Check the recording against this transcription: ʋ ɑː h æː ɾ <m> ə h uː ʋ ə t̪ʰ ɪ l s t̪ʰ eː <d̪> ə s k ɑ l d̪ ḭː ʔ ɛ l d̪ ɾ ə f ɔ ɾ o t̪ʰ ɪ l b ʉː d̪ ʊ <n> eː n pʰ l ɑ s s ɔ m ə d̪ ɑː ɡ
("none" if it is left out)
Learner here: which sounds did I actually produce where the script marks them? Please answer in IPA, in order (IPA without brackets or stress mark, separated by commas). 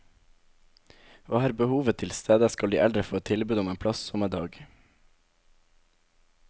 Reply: b, d̪, m